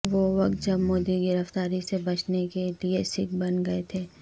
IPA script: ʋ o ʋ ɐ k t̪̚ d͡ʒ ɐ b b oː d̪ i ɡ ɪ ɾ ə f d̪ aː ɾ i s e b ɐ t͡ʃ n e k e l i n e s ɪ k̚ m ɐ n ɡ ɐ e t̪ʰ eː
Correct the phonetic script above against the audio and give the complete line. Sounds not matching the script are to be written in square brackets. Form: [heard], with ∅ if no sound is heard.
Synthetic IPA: ʋ o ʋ ɐ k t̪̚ d͡ʒ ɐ b [m] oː d̪ i ɡ ɪ ɾ ə f [t̪] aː ɾ i s e b ɐ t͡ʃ n e k e l i [∅] e s ɪ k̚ [b] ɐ n ɡ ɐ e t̪ʰ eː